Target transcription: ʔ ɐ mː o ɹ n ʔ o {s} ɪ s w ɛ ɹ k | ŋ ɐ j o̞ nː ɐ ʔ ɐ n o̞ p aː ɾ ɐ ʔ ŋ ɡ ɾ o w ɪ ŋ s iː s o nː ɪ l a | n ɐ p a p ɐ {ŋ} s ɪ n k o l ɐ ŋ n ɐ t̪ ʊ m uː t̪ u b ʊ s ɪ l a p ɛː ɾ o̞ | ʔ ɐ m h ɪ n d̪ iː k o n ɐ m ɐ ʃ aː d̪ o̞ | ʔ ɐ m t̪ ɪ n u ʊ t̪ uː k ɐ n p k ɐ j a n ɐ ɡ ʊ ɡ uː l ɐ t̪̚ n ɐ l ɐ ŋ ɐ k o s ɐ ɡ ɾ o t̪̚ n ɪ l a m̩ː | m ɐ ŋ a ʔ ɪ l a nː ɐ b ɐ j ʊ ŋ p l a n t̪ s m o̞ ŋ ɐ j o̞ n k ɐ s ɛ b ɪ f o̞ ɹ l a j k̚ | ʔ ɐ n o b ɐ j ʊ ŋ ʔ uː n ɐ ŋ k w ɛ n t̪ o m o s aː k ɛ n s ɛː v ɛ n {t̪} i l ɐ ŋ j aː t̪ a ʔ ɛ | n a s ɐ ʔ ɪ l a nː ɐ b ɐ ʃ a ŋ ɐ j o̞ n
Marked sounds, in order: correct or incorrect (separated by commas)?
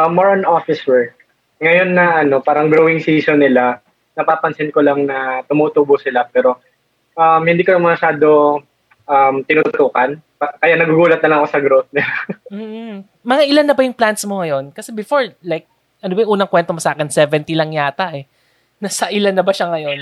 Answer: incorrect, incorrect, correct